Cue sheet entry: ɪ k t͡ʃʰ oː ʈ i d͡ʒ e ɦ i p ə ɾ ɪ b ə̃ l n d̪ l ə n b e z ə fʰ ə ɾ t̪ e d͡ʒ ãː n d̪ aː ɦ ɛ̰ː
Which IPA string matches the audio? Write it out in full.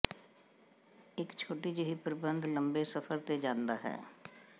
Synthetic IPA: ɪ k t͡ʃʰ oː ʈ i d͡ʒ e ɦ i p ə ɾ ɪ b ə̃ n d̪ l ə m b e s ə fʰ ə ɾ t̪ e d͡ʒ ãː n d̪ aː ɦ ɛ̰ː